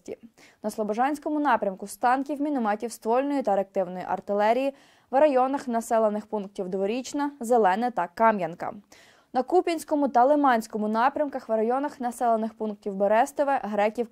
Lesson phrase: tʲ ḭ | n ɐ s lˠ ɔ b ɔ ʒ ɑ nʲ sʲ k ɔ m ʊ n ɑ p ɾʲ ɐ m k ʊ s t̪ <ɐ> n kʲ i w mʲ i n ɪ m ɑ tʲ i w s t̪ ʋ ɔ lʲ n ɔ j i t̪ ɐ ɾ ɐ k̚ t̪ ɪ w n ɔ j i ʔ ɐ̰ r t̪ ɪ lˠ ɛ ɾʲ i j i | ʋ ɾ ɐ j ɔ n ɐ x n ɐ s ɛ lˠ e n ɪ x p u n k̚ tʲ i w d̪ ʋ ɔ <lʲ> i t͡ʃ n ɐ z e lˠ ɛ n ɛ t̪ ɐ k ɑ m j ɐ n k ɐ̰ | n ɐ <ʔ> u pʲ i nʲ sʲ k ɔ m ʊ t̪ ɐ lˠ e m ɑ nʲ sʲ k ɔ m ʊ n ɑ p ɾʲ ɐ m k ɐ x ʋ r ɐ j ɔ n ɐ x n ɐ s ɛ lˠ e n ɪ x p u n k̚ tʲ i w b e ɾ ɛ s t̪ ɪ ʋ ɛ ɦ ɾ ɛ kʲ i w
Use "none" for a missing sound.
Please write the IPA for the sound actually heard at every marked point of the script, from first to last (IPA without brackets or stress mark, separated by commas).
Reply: ɑ, ɾʲ, k